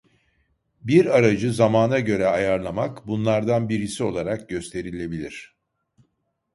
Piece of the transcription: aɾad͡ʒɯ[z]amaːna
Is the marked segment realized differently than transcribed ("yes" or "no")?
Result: no